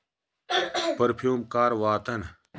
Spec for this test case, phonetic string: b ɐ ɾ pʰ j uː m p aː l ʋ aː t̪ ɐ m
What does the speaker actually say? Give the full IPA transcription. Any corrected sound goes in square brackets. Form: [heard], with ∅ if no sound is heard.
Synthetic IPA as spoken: [p] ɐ ɾ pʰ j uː m [k] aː [ɾ] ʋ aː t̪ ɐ [n]